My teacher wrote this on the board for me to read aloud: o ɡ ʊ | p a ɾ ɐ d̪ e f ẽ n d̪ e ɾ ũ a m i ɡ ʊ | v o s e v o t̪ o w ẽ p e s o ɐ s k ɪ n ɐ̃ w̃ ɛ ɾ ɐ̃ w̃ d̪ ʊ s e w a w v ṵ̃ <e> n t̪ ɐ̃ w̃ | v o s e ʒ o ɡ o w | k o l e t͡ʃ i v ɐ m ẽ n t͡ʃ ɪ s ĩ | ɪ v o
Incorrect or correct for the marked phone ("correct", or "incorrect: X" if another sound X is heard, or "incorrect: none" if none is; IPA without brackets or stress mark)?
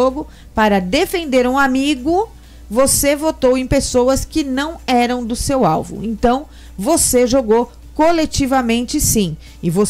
incorrect: ẽ